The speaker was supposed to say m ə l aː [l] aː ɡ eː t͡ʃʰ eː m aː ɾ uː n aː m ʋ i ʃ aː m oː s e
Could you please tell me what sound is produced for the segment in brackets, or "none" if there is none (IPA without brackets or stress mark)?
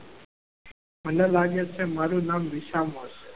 l